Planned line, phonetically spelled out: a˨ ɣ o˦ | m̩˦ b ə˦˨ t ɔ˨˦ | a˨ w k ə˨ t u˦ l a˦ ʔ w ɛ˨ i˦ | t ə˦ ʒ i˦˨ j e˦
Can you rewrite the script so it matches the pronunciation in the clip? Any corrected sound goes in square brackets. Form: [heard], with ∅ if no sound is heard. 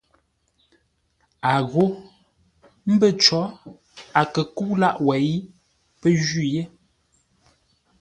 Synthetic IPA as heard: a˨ ɣ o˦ | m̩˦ b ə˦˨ [t͡ʃ] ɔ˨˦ | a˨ [∅] k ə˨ [k] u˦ l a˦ ʔ w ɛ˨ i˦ | [p] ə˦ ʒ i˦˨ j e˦